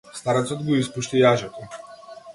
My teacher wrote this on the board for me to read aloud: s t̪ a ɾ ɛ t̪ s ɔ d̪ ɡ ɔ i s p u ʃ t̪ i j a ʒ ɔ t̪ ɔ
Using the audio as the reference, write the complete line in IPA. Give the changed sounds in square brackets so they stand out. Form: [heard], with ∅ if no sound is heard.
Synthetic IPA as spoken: s t̪ a ɾ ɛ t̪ s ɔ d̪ ɡ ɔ i s p u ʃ t̪ i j a ʒ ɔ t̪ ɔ